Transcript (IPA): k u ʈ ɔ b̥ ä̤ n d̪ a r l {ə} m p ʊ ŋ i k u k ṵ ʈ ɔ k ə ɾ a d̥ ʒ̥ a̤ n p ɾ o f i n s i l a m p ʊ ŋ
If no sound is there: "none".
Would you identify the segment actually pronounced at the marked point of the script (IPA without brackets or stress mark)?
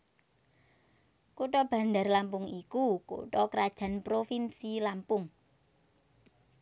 a